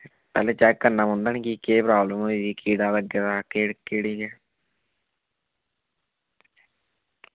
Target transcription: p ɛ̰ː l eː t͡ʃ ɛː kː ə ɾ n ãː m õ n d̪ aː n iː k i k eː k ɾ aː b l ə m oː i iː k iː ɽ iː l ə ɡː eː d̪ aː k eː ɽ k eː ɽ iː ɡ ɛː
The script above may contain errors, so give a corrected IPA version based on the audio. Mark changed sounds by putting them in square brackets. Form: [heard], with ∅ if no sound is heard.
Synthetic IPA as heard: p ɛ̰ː l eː t͡ʃ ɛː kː ə ɾ n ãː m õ n d̪ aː n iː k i k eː [p] ɾ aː b l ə m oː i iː k iː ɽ [aː] l ə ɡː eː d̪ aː k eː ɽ k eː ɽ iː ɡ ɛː

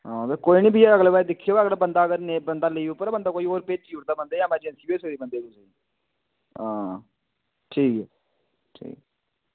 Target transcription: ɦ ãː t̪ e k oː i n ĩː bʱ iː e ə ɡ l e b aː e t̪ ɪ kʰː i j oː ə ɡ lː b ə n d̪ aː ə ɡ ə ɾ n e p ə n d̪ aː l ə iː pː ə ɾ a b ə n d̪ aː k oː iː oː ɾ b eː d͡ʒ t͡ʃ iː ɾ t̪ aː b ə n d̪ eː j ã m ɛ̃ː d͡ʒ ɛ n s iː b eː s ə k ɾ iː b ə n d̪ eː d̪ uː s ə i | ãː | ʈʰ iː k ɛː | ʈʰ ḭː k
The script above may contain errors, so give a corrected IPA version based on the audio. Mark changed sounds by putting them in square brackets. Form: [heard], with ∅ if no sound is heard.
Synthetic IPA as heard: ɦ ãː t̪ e k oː i n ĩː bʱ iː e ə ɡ l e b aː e [d̪] ɪ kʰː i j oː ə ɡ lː b ə n d̪ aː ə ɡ ə ɾ n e [b] ə n d̪ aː l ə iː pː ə ɾ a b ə n d̪ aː k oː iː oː ɾ [p] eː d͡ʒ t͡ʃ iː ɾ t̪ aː b ə n d̪ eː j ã m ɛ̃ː d͡ʒ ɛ n s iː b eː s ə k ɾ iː b ə n d̪ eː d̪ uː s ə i | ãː | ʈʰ iː k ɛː | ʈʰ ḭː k

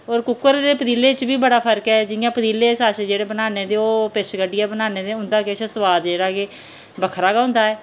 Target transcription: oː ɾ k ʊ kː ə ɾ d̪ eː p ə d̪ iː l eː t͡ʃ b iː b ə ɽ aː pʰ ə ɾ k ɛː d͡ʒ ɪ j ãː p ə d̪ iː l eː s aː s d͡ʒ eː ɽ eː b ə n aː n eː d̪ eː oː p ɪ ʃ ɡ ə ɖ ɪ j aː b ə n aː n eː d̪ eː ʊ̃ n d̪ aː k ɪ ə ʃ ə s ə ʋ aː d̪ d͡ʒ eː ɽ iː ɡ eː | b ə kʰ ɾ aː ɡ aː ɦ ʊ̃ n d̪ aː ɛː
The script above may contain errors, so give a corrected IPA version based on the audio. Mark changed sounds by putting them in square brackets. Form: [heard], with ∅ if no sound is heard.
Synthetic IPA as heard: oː ɾ k ʊ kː ə ɾ d̪ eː p ə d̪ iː l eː t͡ʃ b iː b ə ɽ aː pʰ ə ɾ k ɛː d͡ʒ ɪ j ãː p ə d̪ iː l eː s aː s d͡ʒ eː ɽ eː b ə n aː n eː d̪ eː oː p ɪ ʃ ɡ ə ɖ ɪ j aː b ə n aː n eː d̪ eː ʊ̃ n d̪ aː k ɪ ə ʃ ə s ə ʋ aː d̪ d͡ʒ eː ɽ [aː] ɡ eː | b ə kʰ ɾ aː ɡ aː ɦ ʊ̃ n d̪ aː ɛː

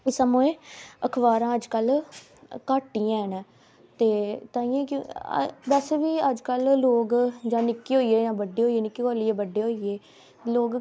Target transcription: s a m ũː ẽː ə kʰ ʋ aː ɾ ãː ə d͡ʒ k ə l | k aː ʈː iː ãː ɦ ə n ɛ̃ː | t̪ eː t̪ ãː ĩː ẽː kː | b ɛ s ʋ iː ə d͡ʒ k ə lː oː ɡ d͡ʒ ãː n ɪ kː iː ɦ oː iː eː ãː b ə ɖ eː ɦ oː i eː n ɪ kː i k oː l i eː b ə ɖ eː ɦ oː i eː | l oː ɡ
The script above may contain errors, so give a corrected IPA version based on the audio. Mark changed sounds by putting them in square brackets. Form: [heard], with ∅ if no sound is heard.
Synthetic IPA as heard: s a m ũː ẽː ə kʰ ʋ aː ɾ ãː ə d͡ʒ k ə l | k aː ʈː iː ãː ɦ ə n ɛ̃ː | t̪ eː t̪ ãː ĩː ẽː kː | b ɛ s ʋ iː ə d͡ʒ k ə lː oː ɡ d͡ʒ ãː n ɪ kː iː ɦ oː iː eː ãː b ə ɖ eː ɦ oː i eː n ɪ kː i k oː l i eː b ə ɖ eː ɦ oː i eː | l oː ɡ

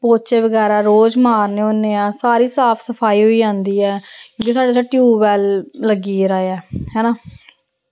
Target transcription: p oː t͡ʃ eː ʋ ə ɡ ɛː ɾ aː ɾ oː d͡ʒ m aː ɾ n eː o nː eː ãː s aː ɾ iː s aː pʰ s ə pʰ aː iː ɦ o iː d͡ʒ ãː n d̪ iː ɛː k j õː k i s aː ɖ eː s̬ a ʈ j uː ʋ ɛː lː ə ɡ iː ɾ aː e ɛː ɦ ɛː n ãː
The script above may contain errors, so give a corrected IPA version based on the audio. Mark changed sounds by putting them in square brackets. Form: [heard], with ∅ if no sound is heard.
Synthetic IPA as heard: p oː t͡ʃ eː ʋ ə ɡ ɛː ɾ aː ɾ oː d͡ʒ m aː ɾ n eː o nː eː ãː s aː ɾ iː s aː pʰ s ə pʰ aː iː ɦ o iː d͡ʒ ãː n d̪ iː ɛː k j õː k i s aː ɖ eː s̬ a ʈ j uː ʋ ɛː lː ə ɡ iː ɾ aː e ɛː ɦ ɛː n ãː

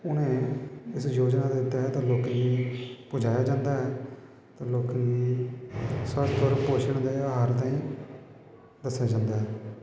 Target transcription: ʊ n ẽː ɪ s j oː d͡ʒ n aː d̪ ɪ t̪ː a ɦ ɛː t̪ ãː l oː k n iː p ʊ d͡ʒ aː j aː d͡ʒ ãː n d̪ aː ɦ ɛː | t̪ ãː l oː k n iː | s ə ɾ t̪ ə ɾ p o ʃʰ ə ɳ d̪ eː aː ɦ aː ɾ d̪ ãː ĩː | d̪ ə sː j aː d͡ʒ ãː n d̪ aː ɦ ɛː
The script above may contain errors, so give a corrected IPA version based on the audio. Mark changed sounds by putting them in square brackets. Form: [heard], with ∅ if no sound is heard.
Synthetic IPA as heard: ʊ n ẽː ɪ s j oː d͡ʒ n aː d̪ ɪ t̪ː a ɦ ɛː t̪ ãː l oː k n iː p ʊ d͡ʒ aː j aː d͡ʒ ãː n d̪ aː ɦ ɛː | t̪ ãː l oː k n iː | s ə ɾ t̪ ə ɾ p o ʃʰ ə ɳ d̪ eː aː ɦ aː ɾ [t̪] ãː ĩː | d̪ ə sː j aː d͡ʒ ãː n d̪ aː ɦ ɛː

